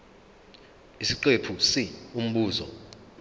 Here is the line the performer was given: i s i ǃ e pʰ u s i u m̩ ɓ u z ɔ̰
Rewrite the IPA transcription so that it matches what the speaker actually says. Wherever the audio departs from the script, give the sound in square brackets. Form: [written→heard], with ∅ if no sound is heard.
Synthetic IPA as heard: i s i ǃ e pʰ u s i u m̩ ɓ [u→uː] z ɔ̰